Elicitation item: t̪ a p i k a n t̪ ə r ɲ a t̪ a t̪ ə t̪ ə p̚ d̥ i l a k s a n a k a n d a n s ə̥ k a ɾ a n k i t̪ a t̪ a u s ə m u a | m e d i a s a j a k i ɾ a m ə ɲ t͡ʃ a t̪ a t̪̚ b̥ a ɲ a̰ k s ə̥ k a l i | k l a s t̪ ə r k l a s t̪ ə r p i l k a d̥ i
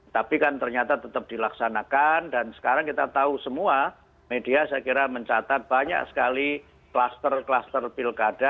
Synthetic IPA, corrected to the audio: t̪ a p i k a n t̪ ə r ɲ a t̪ a t̪ ə t̪ ə p̚ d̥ i l a k s a n a k a n d a n s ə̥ k a ɾ a ŋ k i t̪ a t̪ a u s ə m u a | m e d i a s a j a k i ɾ a m ə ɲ t͡ʃ a t̪ a t̪̚ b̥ a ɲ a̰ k s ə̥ k a l i | k l a s t̪ ə r k l a s t̪ ə r p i l k a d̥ a